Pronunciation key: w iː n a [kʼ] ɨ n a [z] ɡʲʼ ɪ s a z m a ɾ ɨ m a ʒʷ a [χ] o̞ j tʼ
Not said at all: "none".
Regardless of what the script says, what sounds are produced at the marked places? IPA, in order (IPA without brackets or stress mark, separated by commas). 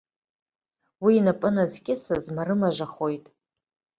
pʼ, z, χ